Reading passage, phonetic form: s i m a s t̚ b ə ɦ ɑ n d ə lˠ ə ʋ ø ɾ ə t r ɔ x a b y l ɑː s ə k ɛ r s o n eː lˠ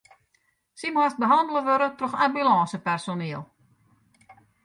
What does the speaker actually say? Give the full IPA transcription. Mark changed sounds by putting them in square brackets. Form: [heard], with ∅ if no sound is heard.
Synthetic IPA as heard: s i m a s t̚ b ə ɦ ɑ n d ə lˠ ə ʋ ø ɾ ə t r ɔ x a b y l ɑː s ə [p] ɛ r s o n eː lˠ